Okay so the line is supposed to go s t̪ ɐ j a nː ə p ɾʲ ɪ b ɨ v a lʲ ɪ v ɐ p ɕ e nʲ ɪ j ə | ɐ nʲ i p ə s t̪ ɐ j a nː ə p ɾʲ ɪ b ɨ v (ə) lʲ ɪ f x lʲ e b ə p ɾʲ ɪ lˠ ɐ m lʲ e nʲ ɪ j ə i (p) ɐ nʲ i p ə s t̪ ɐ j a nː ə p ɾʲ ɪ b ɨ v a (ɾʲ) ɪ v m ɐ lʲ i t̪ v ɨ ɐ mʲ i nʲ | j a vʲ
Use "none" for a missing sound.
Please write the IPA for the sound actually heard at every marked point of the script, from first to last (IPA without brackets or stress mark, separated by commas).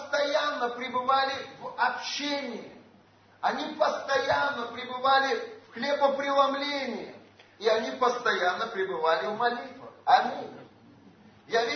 a, none, lʲ